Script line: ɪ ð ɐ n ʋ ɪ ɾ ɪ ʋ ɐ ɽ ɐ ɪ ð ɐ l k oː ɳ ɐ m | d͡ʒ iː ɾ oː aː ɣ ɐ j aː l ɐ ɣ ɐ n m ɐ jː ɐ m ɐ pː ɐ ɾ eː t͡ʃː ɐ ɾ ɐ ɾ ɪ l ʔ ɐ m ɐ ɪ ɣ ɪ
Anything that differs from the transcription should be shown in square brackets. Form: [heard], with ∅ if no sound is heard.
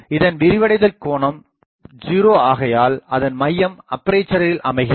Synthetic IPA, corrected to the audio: ɪ ð ɐ n ʋ ɪ ɾ ɪ ʋ ɐ ɽ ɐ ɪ ð ɐ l k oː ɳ ɐ m | d͡ʒ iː ɾ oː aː ɣ ɐ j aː l ɐ [ð] ɐ n m ɐ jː ɐ m ɐ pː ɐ ɾ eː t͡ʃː ɐ ɾ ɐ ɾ ɪ l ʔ ɐ m ɐ ɪ ɣ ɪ